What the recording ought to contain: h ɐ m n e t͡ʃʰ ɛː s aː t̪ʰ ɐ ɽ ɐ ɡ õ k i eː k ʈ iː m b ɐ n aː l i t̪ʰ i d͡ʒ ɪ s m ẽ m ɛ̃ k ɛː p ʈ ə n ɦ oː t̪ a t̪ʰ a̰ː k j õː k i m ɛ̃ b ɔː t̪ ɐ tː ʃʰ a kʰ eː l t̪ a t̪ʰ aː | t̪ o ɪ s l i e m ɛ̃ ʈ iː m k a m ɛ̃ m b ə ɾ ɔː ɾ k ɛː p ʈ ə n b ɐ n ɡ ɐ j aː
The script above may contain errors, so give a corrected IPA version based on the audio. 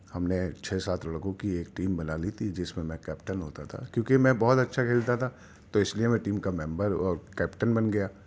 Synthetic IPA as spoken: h ɐ m n e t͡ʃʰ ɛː s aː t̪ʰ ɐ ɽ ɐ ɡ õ k i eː k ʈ iː m b ɐ n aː l i t̪ʰ i d͡ʒ ɪ s m ẽ m ɛ̃ k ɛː p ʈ ə n ɦ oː t̪ a t̪ʰ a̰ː k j õː k i m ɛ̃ b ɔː t̪ ɐ tː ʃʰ a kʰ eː l t̪ a t̪ʰ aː | t̪ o ɪ s l i e m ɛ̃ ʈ iː m k a m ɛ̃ m b ə ɾ ɔː ɾ k ɛː p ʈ ə n b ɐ n ɡ ɐ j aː